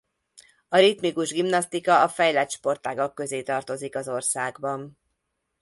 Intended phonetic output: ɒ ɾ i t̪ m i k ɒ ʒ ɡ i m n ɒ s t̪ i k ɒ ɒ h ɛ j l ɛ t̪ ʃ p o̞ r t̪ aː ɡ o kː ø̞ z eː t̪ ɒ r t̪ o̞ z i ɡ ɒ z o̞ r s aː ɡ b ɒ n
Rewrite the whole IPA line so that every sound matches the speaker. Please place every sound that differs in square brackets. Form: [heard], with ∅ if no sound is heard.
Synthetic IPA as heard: ɒ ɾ i t̪ m i k [u] ʒ ɡ i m n ɒ s t̪ i k ɒ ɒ [f] ɛ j l ɛ t̪ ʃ p o̞ r t̪ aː ɡ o kː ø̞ z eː t̪ ɒ r t̪ o̞ z i [k] ɒ z o̞ r s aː ɡ b ɒ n